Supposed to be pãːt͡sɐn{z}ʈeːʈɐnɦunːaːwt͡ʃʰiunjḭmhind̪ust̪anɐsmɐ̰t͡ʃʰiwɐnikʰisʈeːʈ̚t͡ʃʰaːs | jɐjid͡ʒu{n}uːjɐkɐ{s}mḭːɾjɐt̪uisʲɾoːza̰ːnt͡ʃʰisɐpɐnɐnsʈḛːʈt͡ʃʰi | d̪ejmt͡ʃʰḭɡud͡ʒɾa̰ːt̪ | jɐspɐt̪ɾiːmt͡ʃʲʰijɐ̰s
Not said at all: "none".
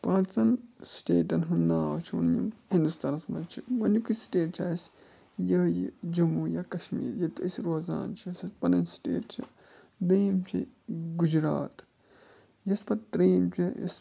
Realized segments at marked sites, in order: s, m, ʃ

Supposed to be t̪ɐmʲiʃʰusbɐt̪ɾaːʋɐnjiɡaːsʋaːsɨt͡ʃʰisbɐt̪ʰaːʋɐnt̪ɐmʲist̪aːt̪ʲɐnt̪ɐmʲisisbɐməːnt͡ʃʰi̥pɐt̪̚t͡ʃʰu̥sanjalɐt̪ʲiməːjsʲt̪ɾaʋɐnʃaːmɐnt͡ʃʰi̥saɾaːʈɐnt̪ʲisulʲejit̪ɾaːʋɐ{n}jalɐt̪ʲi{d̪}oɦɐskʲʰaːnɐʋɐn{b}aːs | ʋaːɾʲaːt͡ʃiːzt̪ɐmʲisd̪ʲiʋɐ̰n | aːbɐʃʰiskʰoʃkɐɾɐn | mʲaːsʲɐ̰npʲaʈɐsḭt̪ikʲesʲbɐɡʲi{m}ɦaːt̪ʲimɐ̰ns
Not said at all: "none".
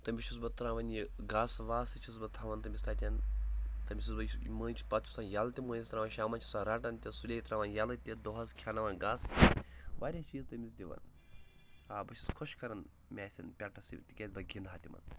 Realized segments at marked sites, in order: n, d̪, ɡ, n

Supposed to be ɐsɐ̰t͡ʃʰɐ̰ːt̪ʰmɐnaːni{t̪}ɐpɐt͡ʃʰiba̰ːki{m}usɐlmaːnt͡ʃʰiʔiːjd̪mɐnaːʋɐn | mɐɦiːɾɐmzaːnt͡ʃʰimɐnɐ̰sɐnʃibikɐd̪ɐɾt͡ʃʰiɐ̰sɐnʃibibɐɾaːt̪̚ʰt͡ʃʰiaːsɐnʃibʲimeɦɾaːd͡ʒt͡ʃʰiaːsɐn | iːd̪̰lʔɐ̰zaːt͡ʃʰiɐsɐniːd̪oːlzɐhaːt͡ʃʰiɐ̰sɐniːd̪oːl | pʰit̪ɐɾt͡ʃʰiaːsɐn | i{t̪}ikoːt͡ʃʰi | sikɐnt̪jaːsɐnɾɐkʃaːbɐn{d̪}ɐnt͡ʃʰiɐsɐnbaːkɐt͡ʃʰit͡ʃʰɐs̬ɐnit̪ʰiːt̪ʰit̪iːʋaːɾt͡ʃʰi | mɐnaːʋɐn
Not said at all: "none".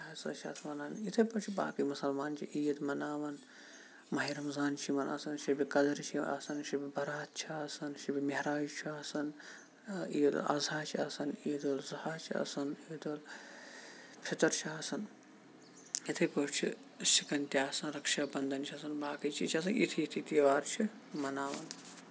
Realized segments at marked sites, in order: t̪ʰ, m, t̪ʰ, d̪

